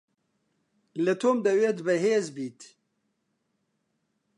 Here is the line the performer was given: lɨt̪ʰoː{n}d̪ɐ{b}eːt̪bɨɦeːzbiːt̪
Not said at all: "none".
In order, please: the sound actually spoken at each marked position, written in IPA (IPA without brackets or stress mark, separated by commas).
m, w